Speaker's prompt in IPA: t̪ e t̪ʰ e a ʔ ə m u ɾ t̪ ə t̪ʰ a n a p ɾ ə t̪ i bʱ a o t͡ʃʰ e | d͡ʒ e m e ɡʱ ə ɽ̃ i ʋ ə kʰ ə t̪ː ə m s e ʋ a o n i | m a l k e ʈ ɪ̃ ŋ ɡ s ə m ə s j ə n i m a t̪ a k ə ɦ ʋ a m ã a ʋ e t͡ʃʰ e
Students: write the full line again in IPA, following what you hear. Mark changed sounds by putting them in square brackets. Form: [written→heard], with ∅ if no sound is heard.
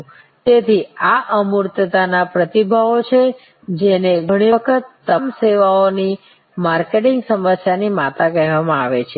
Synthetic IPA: t̪ e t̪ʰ [e→i] a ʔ ə m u ɾ t̪ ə [t̪ʰ→t̪] a n a p ɾ ə t̪ i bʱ a o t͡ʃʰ e | d͡ʒ e [m→n] e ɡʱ ə ɽ̃ i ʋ ə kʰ ə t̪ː ə m s e ʋ a o n i | m a [l→ɾ] k e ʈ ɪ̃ ŋ ɡ s ə m ə s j [ə→a] n i m a t̪ a k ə ɦ ʋ a m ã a ʋ e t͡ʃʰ e

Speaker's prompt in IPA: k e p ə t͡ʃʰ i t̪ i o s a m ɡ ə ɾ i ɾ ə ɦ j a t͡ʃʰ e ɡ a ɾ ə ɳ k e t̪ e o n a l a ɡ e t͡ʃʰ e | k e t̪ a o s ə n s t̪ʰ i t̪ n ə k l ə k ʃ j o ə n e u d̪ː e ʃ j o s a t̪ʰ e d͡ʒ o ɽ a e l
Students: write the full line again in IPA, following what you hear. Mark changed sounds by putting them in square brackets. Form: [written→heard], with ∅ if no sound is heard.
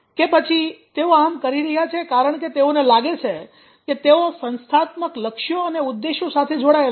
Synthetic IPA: k e p ə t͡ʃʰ i t̪ [i→e] o [s→∅] a m [ɡ→k] ə ɾ i ɾ ə ɦ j a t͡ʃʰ e [ɡ→k] a ɾ ə ɳ k e t̪ e o n [a→e] l a ɡ e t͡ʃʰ e | k e t̪ [a→e] o s ə n s t̪ʰ [i→a] t̪ [n→m] ə k l ə k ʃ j o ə n e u d̪ː e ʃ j o s a t̪ʰ e d͡ʒ o ɽ a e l

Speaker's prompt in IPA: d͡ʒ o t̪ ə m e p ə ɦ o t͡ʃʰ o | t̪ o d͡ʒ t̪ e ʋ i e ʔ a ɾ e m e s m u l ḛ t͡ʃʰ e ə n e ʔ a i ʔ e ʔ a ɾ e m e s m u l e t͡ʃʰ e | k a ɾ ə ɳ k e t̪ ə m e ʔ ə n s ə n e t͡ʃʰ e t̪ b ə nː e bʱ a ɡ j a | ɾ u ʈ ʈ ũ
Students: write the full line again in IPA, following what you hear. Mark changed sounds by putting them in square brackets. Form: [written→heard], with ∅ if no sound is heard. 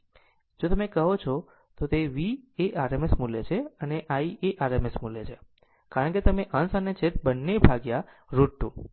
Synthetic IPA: d͡ʒ o t̪ ə m e [p→k] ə ɦ o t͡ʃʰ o | t̪ o [d͡ʒ→∅] t̪ e ʋ i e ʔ a ɾ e m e s m u l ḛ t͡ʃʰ e ə n e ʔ a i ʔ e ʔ a ɾ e m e s m u l e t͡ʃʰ e | k a ɾ ə ɳ k e t̪ ə m e ʔ ə n s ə n e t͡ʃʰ e t̪ b ə nː e bʱ a ɡ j a | ɾ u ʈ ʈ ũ

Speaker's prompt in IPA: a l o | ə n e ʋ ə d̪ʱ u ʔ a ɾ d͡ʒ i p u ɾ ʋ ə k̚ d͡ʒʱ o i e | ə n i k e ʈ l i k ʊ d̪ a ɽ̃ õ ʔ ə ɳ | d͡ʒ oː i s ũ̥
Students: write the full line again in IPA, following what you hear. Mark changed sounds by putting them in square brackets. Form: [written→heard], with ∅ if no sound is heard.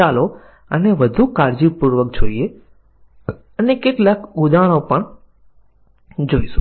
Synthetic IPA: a l o | ə n e ʋ ə d̪ʱ u [ʔ→k] a ɾ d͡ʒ i p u ɾ ʋ ə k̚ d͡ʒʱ o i e | ə n [i→e] k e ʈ l [i→a] k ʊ d̪ a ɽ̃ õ [ʔ→p] ə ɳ | d͡ʒ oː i s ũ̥

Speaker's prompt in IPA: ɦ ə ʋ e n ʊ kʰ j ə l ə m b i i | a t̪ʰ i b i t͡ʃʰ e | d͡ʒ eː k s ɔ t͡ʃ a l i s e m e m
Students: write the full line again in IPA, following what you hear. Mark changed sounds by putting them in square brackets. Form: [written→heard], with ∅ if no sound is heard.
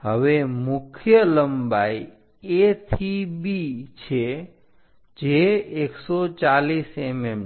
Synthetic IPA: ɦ ə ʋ e [n→m] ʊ kʰ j ə l ə m b [i→a] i | [a→e] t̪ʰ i b i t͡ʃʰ e | d͡ʒ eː k s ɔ t͡ʃ a l i s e m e m

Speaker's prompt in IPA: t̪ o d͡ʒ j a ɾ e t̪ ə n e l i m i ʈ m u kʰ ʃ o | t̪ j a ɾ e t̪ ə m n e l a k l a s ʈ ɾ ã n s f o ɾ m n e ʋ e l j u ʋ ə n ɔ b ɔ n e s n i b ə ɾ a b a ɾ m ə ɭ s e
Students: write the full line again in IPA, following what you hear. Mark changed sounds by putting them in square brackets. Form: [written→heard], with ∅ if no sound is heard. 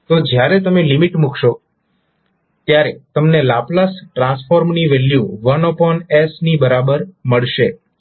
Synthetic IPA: t̪ o d͡ʒ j a ɾ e t̪ ə [n→m] e l i m i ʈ m u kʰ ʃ o | t̪ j a ɾ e t̪ ə m n e l a [k→p] l a s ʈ ɾ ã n s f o ɾ m n [e→i] ʋ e l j u ʋ ə n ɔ [b→p] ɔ n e s n i b ə ɾ a b [a→ə] ɾ m ə ɭ [s→ʃ] e

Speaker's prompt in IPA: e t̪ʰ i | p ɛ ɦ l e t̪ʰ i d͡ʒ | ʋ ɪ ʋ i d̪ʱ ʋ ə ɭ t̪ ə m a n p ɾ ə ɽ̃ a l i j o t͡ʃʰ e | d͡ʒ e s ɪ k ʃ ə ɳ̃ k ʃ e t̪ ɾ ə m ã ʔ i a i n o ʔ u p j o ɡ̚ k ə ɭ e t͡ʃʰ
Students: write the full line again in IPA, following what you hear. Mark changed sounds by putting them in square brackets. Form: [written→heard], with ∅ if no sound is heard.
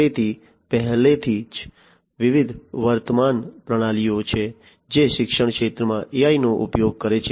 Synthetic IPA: e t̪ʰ i | p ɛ ɦ l e t̪ʰ i d͡ʒ | ʋ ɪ ʋ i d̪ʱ ʋ ə [ɭ→ɾ] t̪ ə m a n p ɾ ə ɽ̃ a l i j o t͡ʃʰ e | d͡ʒ e [s→ʃ] ɪ k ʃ ə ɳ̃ k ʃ e t̪ ɾ ə m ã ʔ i a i n o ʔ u p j o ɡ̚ k ə [ɭ→ɾ] e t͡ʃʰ

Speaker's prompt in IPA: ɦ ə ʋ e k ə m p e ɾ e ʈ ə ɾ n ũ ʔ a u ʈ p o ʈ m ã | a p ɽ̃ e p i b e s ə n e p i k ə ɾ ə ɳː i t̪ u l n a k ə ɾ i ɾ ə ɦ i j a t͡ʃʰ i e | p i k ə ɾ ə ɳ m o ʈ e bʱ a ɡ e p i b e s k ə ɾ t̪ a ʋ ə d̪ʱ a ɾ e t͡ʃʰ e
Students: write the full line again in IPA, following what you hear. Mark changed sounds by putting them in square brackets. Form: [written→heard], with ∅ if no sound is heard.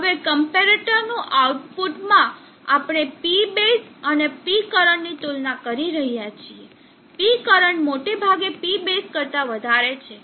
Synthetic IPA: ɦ ə ʋ e k ə m p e ɾ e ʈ ə ɾ n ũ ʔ a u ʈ p [o→u] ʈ m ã | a p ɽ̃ e p i b e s ə n e p i k ə ɾ ə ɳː i t̪ u l n a k ə ɾ i ɾ ə ɦ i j a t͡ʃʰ i e | p i k ə ɾ ə ɳ m o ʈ e bʱ a ɡ e p i b e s k ə ɾ t̪ a ʋ ə d̪ʱ a ɾ e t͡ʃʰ e

